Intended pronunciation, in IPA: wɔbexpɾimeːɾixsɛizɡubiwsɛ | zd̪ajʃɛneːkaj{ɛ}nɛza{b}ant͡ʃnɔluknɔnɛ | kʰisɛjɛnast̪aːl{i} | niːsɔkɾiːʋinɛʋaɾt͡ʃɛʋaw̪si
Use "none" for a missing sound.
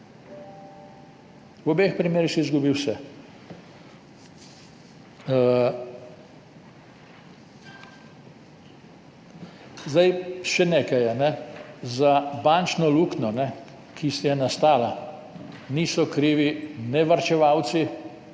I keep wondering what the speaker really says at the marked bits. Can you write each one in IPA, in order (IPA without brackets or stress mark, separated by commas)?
a, b, a